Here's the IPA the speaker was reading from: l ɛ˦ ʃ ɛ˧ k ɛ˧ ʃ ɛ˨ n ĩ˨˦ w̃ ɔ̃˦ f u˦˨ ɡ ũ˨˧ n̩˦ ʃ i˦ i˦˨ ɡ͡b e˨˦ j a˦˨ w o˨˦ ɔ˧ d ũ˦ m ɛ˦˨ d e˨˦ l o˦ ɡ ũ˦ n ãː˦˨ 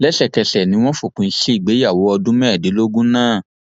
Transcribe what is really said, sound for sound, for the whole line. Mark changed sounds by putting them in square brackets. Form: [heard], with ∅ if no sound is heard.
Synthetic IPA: l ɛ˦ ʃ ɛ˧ k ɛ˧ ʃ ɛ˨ n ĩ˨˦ w̃ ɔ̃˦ f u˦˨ [k] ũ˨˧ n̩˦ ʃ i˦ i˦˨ ɡ͡b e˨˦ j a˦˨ w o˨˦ ɔ˧ d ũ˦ m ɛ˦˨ d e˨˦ l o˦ ɡ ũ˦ n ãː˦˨